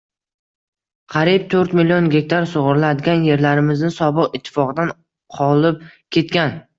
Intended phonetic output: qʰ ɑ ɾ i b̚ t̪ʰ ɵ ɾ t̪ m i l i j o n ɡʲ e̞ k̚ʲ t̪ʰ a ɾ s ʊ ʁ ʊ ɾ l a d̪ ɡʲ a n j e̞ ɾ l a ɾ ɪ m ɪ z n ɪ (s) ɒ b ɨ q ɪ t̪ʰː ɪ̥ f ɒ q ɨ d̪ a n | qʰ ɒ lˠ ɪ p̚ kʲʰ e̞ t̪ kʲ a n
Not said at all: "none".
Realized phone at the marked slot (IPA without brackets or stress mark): s